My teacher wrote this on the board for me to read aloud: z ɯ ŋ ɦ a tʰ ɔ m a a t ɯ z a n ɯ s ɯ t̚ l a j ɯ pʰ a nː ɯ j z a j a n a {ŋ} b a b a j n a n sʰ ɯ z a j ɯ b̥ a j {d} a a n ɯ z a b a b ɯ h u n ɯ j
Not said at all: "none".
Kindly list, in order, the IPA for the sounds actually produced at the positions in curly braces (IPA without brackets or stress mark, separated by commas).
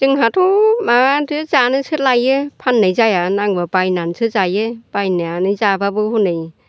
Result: ŋ, n